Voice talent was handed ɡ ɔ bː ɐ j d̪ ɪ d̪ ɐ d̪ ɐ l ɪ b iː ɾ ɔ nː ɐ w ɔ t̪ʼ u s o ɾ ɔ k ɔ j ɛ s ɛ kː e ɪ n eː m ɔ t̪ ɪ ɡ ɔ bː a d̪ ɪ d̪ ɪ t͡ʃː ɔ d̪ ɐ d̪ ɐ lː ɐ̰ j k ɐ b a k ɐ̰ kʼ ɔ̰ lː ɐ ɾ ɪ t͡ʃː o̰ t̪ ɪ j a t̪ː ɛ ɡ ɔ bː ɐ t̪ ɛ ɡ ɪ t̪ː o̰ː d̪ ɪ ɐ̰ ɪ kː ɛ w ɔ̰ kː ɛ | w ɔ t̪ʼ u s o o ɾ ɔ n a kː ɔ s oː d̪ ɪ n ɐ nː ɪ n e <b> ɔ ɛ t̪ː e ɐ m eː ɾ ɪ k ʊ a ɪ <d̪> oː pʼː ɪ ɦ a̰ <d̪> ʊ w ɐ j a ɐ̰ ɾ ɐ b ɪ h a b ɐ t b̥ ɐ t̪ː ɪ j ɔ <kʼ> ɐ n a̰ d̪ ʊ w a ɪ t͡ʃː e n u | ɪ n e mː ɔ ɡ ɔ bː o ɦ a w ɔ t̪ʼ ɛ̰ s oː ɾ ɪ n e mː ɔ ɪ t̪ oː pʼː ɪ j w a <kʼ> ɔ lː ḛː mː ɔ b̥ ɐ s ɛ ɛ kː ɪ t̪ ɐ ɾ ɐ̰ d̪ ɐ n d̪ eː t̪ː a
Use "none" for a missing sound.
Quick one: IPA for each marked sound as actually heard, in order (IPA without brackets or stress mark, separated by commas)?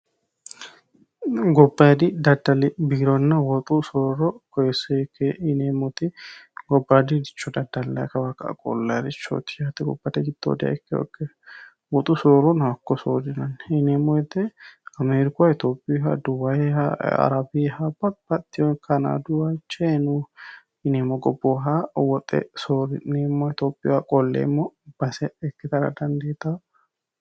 m, t̪, d̪, k, kʼ